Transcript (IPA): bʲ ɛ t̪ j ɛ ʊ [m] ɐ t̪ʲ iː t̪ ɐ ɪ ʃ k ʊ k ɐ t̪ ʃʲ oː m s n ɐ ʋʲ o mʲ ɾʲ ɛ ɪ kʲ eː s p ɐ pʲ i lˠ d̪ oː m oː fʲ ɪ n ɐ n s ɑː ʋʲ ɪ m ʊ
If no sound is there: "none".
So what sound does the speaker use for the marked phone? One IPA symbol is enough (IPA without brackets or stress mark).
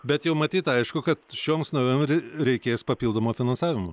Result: m